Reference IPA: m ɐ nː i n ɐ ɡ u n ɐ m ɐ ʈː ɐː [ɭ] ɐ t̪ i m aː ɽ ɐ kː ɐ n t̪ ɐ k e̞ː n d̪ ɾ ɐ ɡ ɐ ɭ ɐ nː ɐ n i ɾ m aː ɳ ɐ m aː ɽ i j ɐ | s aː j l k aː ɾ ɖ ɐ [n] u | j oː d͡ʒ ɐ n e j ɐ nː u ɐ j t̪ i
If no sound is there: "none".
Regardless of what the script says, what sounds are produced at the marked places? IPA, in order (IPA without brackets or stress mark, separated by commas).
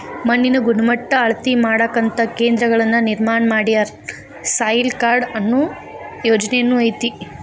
ɭ, nː